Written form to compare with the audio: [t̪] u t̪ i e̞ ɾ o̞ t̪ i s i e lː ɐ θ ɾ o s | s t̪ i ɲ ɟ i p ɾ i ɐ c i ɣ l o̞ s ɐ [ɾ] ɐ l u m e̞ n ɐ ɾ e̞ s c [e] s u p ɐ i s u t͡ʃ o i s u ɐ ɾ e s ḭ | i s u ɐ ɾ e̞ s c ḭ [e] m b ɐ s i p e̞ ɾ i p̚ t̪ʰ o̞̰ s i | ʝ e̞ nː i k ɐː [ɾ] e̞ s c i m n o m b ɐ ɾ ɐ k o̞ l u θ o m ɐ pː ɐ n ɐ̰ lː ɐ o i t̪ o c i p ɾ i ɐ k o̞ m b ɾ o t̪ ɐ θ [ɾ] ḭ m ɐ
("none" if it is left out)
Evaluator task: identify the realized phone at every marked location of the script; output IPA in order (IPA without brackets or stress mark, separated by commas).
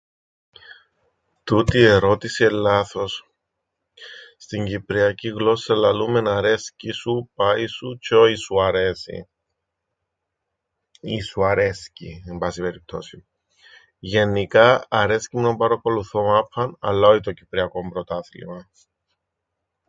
t̪, l, i, e, ɾ, l